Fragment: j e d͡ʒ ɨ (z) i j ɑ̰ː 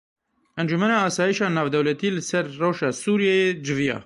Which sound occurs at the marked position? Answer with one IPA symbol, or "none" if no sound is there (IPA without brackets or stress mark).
v